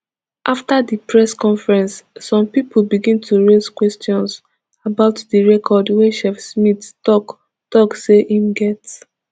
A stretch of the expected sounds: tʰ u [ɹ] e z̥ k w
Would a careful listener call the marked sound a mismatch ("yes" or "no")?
no